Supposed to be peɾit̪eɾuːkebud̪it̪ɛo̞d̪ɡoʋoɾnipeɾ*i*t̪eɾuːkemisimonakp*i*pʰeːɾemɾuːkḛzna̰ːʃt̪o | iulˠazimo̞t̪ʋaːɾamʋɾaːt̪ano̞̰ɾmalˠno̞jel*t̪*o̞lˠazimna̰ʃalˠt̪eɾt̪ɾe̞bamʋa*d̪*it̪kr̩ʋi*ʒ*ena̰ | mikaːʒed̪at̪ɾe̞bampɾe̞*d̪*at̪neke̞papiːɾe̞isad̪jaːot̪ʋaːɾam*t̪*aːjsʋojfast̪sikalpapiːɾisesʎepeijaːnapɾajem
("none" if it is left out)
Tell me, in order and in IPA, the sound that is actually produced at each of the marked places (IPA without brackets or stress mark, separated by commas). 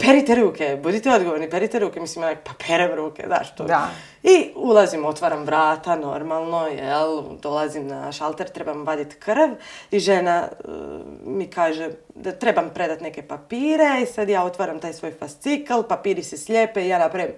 i, a, d̪, d̪, ʒ, d̪, t̪